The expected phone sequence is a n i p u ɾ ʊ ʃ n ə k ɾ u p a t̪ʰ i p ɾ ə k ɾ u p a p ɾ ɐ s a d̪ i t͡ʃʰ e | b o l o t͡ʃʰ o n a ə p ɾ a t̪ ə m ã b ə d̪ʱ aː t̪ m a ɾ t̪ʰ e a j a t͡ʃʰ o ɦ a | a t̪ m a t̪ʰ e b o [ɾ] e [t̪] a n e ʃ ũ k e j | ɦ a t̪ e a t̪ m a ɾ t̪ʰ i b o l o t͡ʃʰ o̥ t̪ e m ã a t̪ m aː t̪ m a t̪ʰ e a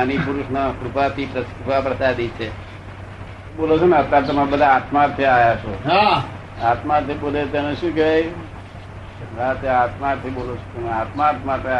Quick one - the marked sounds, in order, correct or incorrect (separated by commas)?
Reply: incorrect, correct